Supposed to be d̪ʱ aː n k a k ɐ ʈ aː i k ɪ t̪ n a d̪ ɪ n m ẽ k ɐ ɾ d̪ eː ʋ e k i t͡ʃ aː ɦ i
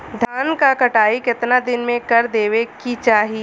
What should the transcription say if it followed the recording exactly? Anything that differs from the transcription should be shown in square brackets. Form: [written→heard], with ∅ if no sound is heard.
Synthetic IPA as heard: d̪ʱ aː n k a k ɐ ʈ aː i k ɪ t̪ n a d̪ ɪ n m ẽ k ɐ ɾ d̪ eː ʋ e k i t͡ʃ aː ɦ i